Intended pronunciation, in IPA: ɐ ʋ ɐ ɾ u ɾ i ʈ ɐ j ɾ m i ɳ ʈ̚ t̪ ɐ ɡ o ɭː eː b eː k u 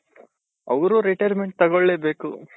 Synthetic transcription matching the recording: ɐ ʋ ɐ ɾ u ɾ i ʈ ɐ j ɾ m e ɳ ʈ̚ t̪ ɐ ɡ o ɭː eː b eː k u